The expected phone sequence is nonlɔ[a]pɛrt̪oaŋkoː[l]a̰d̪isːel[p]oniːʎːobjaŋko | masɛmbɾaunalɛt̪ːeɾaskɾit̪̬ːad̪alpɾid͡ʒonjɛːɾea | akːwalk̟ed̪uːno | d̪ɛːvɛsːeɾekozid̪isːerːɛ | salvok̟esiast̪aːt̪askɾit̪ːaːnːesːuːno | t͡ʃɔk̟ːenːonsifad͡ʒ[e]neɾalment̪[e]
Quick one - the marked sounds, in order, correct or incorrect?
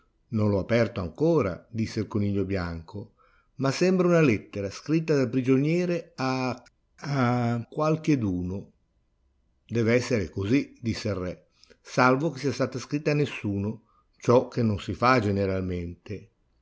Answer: correct, incorrect, incorrect, correct, correct

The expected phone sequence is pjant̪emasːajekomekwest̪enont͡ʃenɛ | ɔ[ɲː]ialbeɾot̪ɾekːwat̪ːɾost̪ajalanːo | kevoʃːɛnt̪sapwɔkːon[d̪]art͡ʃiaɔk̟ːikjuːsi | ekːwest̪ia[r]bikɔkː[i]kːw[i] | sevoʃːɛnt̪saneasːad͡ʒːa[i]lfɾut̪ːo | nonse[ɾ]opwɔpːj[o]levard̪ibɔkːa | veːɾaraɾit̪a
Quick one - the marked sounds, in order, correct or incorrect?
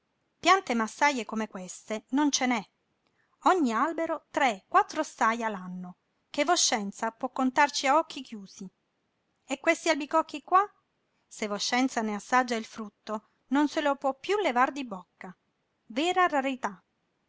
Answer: correct, incorrect, incorrect, correct, incorrect, correct, incorrect, incorrect

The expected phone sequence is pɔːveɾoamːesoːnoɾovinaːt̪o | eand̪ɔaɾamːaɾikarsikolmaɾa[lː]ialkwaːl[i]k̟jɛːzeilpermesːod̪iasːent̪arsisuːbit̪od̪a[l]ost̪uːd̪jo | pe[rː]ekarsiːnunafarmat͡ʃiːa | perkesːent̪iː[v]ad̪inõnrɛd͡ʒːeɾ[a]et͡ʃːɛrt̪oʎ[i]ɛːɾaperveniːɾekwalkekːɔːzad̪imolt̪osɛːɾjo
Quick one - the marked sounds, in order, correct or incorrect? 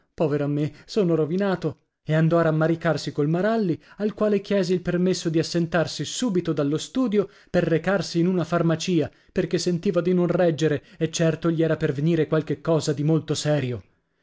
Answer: correct, incorrect, incorrect, correct, correct, incorrect, correct

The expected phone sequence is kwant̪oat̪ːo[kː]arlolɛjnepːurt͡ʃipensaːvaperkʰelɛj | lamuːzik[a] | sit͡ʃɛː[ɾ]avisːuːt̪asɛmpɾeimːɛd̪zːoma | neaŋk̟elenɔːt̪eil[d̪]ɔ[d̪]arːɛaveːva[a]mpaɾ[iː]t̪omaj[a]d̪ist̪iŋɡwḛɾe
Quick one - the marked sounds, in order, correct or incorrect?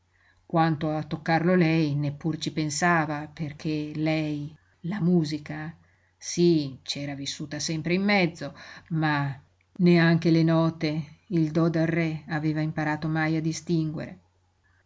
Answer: correct, correct, correct, correct, correct, incorrect, incorrect, correct

